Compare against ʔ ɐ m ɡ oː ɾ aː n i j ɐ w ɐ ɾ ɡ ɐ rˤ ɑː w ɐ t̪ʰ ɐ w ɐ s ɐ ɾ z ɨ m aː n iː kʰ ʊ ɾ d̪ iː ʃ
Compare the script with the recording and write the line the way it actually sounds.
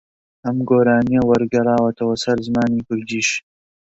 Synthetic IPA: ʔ ɐ m ɡ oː ɾ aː n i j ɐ w ɐ ɾ ɡ ɐ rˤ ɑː w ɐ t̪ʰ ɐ w ɐ s ɐ ɾ z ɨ m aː n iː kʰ ʊ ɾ d̪ iː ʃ